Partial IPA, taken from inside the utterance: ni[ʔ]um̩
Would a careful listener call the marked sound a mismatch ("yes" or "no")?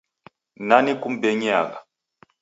yes